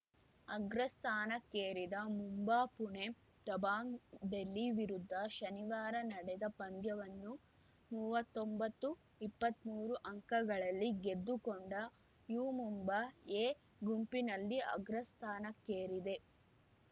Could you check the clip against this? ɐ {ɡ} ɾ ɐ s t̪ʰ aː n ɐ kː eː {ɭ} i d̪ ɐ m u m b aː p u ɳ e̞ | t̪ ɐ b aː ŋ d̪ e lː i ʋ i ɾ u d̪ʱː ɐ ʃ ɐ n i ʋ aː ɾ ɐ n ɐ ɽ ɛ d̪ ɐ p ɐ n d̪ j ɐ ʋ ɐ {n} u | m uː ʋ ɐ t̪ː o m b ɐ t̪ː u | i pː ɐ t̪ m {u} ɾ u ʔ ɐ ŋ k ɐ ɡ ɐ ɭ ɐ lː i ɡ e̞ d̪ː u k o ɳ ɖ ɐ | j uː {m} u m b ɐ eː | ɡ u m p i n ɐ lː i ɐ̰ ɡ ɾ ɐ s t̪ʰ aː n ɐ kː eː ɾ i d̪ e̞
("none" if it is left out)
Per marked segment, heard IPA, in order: ɡ, ɾ, nː, uː, m

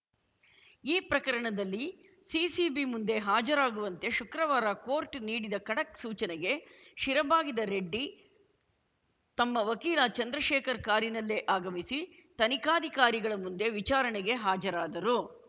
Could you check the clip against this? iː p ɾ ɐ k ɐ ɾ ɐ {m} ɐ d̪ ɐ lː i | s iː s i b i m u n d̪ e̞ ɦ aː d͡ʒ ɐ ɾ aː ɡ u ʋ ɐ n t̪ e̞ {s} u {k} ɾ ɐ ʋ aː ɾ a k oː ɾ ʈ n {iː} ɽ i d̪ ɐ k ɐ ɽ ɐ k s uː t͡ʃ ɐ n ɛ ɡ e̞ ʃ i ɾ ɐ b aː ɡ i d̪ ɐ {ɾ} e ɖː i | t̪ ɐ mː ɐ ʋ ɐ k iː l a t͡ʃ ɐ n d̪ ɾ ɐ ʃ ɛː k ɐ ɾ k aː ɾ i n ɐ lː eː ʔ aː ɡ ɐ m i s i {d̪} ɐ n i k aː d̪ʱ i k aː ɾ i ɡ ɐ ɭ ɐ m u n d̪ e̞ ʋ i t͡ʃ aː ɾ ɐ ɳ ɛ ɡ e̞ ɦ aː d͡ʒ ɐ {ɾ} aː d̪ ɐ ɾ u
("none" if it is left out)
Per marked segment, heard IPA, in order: ɳ, ʃ, k, iː, ɾ, t̪, ɾ

